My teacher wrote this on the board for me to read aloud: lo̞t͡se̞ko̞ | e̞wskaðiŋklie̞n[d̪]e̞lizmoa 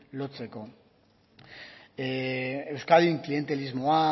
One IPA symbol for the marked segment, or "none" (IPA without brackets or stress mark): t̪